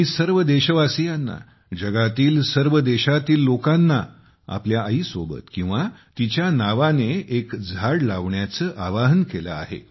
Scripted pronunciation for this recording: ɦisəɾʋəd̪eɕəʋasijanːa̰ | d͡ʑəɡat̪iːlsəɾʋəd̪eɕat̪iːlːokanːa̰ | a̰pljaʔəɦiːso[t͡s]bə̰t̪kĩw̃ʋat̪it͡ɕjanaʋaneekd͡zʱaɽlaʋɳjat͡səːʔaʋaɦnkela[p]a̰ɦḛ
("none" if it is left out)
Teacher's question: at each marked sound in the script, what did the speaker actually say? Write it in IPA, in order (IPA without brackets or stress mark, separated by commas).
none, none